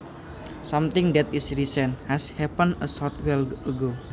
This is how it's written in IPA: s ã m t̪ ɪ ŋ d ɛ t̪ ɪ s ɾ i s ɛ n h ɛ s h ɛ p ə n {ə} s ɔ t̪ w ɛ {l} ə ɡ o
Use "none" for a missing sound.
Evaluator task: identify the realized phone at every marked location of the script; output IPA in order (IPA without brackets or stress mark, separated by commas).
ə, l